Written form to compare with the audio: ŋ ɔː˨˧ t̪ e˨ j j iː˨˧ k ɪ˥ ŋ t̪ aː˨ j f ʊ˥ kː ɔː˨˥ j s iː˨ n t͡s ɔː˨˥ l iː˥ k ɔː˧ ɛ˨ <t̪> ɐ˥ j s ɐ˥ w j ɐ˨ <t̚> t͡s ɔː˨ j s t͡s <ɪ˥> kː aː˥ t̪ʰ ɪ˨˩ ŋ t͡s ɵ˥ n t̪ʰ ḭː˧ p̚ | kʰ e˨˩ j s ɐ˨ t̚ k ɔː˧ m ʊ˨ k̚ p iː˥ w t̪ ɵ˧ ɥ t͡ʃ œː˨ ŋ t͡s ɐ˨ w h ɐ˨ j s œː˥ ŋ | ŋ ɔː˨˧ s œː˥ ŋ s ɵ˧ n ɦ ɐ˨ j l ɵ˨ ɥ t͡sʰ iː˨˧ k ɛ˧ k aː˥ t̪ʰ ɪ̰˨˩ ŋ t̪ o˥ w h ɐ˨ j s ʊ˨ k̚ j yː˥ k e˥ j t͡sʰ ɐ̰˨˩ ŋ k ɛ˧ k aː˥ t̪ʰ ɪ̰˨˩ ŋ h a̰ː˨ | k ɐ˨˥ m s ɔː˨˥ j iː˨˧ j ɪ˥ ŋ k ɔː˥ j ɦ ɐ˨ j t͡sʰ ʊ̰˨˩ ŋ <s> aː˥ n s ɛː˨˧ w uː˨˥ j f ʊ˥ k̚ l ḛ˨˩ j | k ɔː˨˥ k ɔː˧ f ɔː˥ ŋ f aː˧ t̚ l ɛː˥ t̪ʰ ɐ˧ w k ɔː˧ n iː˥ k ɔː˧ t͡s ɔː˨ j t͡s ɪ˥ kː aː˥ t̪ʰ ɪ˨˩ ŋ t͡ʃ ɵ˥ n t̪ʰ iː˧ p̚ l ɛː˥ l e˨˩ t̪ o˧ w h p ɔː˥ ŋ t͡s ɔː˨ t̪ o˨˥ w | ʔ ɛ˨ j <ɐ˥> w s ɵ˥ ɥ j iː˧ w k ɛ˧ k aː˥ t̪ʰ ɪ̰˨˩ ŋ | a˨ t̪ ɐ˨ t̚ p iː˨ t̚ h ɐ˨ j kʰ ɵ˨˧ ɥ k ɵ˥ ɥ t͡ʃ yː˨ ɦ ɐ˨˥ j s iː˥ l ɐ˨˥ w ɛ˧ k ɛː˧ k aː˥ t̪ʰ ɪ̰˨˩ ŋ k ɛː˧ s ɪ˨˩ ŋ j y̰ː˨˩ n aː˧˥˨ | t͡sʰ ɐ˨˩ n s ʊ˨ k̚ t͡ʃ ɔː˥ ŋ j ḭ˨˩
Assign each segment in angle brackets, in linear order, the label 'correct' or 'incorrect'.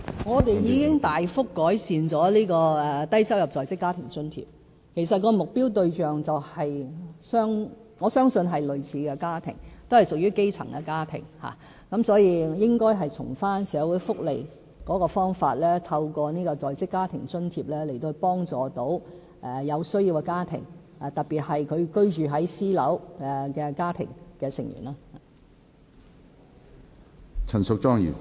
correct, incorrect, correct, incorrect, incorrect

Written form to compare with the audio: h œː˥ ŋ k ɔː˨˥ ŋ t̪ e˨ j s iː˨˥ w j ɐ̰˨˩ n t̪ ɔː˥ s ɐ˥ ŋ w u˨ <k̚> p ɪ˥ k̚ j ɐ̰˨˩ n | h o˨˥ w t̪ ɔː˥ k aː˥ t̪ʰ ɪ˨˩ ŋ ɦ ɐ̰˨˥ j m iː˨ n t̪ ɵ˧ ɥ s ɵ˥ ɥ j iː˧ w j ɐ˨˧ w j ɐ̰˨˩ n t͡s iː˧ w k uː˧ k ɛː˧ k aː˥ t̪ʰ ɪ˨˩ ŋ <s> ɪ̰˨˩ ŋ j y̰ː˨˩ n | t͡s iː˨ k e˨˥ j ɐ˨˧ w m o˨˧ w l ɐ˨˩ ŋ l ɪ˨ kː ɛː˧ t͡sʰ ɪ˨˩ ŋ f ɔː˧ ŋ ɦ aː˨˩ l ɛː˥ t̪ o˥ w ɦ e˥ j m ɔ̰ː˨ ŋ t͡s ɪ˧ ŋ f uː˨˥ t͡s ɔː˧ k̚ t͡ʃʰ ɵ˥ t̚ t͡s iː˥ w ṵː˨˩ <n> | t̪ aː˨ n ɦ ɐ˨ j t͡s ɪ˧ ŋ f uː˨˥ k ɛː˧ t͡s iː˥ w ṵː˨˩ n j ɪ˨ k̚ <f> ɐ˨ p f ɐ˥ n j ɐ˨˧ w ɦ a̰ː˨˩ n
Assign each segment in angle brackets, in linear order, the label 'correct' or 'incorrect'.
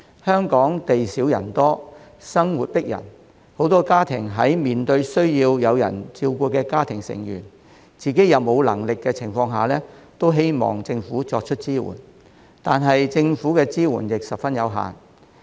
incorrect, correct, correct, incorrect

